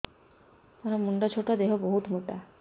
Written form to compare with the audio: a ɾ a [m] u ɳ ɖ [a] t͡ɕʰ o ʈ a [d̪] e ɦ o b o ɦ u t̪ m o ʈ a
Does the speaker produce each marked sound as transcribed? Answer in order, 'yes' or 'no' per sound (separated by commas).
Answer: yes, yes, yes